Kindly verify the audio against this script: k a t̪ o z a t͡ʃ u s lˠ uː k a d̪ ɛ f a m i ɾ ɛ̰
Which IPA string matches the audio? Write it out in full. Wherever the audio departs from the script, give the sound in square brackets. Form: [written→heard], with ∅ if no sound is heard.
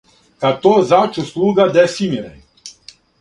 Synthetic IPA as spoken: k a t̪ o z a t͡ʃ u s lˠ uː [k→ɡ] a d̪ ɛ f [a→i] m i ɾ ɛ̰